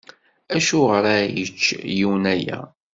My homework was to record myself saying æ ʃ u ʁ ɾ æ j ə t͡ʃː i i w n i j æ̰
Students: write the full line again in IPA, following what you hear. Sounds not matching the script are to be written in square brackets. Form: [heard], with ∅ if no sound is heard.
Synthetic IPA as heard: æ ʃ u ʁ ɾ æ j ə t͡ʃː [j] i w n [æ] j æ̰